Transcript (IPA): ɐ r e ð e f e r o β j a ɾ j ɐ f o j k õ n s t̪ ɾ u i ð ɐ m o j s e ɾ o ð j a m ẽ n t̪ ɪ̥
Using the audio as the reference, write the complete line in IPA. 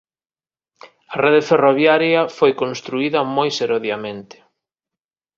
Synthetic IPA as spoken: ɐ r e ð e f e r o β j a ɾ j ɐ f o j k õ n s t̪ ɾ u i ð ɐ m o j s e ɾ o ð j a m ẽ n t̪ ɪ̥